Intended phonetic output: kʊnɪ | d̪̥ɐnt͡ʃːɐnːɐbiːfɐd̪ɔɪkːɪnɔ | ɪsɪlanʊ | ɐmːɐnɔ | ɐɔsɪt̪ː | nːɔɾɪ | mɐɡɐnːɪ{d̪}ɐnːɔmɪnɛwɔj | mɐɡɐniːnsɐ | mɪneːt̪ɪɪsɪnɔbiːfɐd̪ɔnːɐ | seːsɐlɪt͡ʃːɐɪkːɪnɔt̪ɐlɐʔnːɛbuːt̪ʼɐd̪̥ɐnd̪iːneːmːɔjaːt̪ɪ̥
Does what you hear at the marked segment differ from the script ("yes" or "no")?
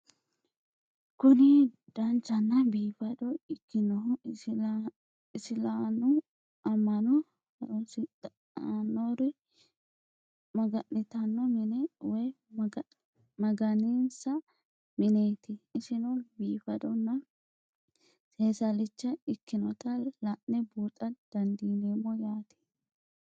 yes